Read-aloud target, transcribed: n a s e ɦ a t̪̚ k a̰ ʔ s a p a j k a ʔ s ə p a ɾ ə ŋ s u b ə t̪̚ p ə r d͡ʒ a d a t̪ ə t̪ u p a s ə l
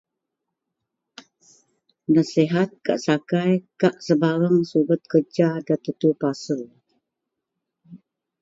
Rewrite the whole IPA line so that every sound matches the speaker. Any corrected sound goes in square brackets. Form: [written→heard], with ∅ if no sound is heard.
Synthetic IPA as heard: n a s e ɦ a t̪̚ k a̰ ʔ s a [p→k] a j k a ʔ s ə [p→b] a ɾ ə ŋ s u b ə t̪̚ [p→k] ə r d͡ʒ a d a t̪ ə t̪ u p a s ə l

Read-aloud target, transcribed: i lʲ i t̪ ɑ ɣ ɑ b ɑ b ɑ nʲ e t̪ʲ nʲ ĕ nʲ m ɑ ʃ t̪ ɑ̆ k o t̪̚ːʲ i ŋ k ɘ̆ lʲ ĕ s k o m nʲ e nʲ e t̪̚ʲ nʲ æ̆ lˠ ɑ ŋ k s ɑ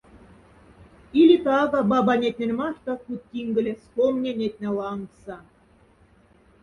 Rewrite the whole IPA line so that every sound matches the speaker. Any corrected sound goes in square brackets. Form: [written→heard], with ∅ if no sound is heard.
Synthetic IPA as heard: i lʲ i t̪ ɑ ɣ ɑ b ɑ b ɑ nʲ e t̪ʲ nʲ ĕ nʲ m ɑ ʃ t̪ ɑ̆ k [o→u] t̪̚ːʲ i ŋ [k→ɡ] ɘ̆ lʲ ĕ s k o m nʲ e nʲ e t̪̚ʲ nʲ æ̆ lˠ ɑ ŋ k s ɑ

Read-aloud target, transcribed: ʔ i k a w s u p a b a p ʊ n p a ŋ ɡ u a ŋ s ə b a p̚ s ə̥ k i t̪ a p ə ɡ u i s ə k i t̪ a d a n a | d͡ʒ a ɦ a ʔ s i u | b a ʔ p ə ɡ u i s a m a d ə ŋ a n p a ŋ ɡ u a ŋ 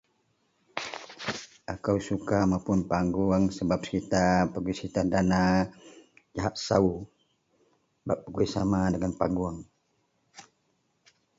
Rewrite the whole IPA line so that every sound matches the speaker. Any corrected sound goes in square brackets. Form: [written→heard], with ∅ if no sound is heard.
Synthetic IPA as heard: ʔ [i→a] k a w s u [p→k] a [b→m] a p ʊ n p a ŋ ɡ u a ŋ s ə b a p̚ s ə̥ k i t̪ a p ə ɡ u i s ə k i t̪ a d a n a | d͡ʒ a ɦ a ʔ s [i→a] u | b a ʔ p ə ɡ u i s a m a d ə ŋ a n p a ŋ ɡ u a ŋ

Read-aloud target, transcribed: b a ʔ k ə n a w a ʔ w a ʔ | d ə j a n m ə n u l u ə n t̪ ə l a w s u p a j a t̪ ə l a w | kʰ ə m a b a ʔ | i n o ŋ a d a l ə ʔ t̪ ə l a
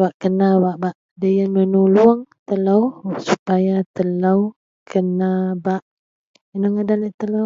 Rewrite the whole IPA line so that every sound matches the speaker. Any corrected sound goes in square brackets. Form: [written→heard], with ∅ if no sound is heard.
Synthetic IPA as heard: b a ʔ k ə n a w a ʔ [w→b] a ʔ | d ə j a n m ə n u l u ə [n→ŋ] t̪ ə l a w s u p a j a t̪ ə l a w | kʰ ə [m→n] a b a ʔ | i n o ŋ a d a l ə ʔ t̪ ə l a

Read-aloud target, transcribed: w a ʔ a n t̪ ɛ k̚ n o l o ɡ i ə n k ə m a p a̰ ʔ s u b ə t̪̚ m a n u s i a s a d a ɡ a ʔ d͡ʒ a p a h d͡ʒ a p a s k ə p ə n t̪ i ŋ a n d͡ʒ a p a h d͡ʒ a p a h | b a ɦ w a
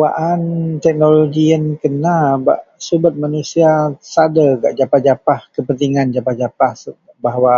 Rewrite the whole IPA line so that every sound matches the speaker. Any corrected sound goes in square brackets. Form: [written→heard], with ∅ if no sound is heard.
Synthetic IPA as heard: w a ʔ a n t̪ ɛ k̚ n o l o ɡ i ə n k ə [m→n] a [p→b] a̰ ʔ s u b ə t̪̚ m a n u s i a s a d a ɡ a ʔ d͡ʒ a p a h d͡ʒ a p a [s→h] k ə p ə n t̪ i ŋ a n d͡ʒ a p a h d͡ʒ a p a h | b a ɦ w a

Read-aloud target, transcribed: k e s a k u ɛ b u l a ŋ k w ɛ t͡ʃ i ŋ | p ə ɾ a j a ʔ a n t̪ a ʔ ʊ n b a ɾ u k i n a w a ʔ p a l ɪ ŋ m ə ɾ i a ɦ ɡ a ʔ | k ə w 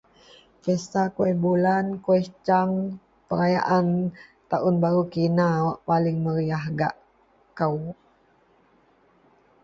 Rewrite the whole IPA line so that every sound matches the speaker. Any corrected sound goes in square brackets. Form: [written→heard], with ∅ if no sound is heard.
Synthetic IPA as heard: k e s a k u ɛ b u l a [ŋ→n] k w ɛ t͡ʃ [i→a] ŋ | p ə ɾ a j a ʔ a n t̪ a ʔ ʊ n b a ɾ u k i n a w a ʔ p a l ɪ ŋ m ə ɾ i a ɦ ɡ a ʔ | k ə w

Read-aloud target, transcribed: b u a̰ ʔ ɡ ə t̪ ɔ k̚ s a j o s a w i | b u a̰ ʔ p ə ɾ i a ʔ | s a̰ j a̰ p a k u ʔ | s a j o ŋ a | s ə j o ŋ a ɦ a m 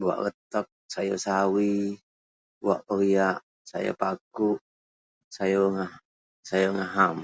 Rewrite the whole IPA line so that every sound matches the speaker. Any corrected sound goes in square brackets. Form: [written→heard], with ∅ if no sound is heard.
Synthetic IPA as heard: b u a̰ ʔ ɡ ə t̪ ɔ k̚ s a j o s a w i | b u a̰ ʔ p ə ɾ i a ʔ | s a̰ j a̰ p a k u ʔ | s a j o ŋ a | s [ə→a] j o ŋ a ɦ a m

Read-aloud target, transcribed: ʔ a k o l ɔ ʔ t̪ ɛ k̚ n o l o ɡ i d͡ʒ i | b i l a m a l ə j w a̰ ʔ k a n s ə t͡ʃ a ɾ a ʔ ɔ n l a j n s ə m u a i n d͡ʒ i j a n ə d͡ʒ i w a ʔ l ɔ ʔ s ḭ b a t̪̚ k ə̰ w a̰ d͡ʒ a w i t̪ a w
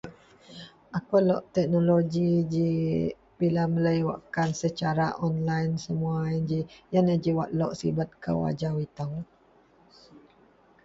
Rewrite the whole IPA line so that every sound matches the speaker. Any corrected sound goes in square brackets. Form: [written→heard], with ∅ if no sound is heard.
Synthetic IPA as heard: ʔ a k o l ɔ ʔ t̪ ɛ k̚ n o l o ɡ i d͡ʒ i | b i l a m [a→ə] l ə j w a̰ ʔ k a n s ə t͡ʃ a ɾ a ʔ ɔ n l a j n s ə m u a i n d͡ʒ i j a n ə d͡ʒ i w a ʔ l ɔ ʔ s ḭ b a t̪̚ k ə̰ w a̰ d͡ʒ a w i t̪ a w

